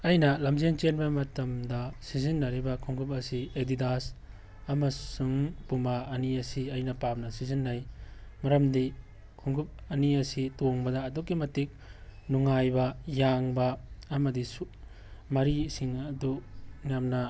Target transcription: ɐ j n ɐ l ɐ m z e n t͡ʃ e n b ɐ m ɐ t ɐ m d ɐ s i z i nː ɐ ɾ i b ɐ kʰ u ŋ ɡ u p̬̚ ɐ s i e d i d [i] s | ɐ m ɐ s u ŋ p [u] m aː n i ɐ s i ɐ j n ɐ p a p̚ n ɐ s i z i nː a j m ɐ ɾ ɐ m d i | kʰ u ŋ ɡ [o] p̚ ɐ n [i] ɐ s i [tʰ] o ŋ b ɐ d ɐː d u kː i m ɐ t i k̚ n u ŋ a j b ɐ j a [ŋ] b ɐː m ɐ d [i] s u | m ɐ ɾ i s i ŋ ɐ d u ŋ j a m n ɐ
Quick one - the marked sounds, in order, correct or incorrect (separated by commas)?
incorrect, correct, incorrect, correct, incorrect, correct, correct